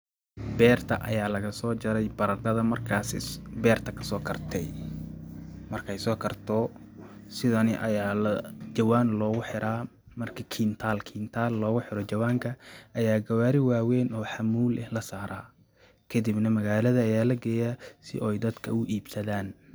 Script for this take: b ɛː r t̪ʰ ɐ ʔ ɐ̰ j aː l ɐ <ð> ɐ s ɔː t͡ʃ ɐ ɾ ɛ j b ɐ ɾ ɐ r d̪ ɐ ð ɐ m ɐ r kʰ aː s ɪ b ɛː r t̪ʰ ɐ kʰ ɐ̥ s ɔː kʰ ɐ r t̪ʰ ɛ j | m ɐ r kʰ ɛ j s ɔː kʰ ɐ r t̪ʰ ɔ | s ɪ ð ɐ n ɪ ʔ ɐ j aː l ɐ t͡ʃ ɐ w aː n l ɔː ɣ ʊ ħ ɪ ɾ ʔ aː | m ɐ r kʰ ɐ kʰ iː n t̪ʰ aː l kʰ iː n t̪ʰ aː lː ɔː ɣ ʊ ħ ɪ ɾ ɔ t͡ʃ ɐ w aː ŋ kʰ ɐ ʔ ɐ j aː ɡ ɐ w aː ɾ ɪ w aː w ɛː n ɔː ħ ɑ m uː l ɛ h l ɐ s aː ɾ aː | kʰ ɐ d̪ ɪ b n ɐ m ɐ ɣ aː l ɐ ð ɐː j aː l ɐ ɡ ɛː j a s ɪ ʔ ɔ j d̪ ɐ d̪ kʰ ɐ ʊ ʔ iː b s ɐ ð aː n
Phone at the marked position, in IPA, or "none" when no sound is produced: ɣ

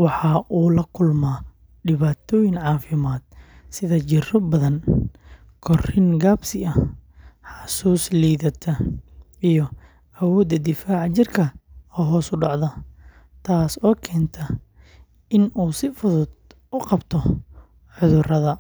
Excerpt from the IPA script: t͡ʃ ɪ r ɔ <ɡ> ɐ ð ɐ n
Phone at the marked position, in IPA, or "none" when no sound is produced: b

